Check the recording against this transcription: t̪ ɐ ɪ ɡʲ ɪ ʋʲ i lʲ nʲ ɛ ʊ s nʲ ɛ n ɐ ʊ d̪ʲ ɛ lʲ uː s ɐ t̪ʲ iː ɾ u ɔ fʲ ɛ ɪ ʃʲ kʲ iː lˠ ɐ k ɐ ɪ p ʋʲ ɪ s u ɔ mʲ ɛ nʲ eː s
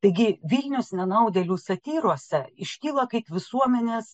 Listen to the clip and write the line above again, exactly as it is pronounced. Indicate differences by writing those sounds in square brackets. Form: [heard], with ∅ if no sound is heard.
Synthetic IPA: t̪ ɐ ɪ ɡʲ ɪ ʋʲ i lʲ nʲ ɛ ʊ s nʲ ɛ n ɐ ʊ d̪ʲ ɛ lʲ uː s ɐ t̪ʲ iː ɾ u ɔ [sʲ] ɛ ɪ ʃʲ kʲ iː lˠ ɐ k ɐ ɪ p ʋʲ ɪ s u ɔ mʲ ɛ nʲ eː s